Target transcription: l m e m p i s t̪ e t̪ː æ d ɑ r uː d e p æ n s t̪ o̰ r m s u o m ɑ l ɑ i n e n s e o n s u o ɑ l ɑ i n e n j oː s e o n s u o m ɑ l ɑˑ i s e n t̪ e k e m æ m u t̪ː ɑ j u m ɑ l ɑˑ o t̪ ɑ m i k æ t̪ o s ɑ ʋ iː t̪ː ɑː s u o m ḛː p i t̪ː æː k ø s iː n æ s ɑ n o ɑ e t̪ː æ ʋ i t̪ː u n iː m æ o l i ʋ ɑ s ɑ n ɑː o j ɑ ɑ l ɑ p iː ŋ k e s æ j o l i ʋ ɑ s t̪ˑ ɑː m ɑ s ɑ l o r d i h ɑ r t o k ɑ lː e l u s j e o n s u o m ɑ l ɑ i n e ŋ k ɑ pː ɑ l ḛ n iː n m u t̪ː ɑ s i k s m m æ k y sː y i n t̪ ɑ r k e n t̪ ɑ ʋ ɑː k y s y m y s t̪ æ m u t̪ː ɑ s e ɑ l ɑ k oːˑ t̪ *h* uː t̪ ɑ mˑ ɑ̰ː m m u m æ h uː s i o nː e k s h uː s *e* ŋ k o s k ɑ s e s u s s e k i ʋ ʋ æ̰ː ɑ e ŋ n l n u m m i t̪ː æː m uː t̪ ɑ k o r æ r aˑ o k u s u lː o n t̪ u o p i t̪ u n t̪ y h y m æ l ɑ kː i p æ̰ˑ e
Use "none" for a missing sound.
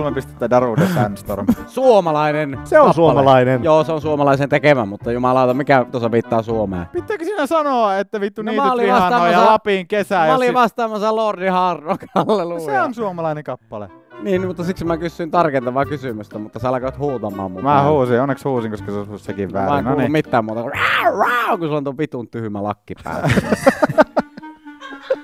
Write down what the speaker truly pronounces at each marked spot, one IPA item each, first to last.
h, i

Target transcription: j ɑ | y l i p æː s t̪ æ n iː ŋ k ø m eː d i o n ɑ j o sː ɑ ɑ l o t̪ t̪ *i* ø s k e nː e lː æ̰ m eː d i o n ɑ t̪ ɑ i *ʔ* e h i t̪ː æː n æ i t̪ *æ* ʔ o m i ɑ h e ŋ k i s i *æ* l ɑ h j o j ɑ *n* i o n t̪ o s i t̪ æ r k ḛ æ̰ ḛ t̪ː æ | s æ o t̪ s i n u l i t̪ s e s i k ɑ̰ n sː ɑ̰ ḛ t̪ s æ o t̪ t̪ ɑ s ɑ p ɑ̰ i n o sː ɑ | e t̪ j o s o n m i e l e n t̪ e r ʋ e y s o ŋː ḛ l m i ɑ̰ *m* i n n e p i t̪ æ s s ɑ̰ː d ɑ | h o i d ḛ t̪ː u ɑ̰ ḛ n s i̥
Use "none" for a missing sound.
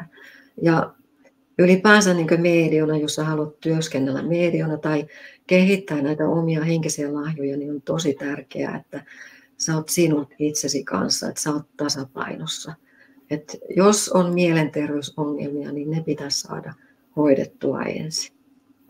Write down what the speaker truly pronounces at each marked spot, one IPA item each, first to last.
y, k, æ, æ, n, n

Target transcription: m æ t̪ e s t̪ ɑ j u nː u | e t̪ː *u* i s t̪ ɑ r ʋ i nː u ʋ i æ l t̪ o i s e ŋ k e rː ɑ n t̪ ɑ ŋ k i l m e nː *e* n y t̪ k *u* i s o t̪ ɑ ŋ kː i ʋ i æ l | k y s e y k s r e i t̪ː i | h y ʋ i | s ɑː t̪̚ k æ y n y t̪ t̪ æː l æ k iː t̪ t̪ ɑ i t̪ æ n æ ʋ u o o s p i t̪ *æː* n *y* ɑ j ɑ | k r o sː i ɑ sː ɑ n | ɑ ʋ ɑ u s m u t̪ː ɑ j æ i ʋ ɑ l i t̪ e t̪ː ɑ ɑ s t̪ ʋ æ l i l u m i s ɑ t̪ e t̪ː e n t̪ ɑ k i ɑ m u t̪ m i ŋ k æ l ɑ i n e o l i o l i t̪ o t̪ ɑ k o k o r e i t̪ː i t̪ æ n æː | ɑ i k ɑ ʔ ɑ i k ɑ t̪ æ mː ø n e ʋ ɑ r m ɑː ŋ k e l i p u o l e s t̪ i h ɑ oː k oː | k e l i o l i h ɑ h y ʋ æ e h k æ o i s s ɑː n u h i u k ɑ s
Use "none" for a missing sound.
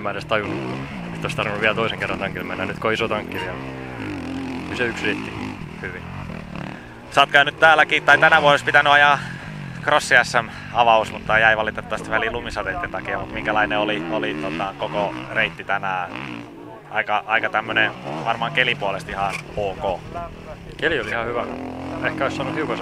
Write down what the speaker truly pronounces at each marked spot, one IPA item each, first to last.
o, æ, o, æ, y

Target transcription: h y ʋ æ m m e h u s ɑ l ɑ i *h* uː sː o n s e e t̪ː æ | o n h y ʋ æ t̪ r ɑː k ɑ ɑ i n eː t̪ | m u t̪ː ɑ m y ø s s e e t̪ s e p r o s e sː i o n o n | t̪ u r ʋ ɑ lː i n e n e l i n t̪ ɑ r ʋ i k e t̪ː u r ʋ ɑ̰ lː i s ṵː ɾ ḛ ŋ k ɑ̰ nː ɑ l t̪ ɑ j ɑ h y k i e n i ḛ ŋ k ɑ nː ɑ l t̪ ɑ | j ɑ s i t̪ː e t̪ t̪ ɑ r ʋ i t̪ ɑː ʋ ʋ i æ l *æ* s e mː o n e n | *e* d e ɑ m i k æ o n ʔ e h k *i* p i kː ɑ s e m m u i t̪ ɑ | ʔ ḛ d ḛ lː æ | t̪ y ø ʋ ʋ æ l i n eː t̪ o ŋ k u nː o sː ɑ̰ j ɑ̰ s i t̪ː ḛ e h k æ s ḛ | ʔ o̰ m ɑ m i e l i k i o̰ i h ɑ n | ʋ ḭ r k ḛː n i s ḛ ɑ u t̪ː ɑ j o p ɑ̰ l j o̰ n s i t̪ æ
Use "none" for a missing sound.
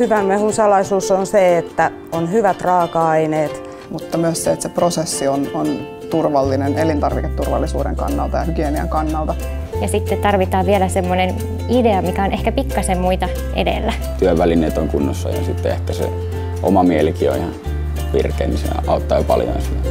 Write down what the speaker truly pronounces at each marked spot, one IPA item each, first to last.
s, æ, i, æ

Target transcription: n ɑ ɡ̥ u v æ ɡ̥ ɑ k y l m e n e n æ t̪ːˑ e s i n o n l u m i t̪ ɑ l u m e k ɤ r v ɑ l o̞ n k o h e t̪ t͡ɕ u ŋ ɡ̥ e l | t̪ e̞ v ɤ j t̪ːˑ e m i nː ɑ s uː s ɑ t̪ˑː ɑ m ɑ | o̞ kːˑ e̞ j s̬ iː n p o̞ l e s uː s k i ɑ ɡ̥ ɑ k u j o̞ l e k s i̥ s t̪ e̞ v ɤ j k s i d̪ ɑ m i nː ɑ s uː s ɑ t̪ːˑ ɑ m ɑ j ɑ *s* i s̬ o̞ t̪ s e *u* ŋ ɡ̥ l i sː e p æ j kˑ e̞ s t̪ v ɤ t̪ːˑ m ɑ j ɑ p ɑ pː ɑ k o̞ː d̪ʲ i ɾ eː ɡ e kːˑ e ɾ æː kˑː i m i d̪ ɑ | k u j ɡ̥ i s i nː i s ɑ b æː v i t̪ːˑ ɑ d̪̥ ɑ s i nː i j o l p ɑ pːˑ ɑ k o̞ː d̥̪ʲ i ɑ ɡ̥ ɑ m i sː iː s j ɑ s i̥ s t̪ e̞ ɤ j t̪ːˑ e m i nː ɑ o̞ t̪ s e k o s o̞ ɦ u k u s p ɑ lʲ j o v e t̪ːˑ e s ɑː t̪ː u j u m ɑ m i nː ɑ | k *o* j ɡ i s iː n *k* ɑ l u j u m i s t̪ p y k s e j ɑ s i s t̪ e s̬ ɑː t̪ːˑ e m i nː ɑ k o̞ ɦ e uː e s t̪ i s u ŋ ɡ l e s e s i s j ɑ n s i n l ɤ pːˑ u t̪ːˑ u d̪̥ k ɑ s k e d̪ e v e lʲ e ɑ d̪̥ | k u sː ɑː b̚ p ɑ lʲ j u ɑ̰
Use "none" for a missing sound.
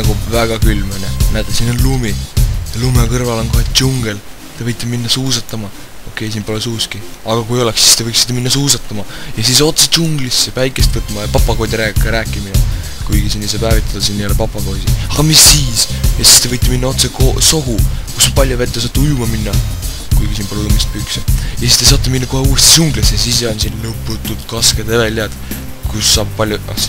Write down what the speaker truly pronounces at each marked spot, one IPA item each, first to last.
s, u, u, p

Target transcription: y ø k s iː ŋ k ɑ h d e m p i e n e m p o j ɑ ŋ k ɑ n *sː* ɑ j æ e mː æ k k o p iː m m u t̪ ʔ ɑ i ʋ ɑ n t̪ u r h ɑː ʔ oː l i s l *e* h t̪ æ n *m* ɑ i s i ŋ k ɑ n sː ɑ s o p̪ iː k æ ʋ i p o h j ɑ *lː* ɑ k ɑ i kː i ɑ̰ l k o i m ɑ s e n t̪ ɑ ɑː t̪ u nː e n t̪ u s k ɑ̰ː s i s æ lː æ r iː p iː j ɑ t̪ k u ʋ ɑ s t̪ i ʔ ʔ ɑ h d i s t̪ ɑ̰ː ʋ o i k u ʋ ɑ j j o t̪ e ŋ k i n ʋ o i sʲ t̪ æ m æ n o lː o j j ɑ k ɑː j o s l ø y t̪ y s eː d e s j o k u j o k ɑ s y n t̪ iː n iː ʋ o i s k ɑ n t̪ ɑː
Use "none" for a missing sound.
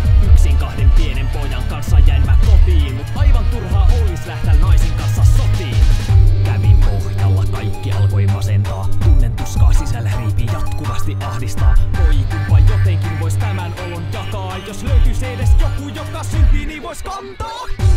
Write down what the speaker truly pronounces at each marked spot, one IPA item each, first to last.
sː, æ, n, lː

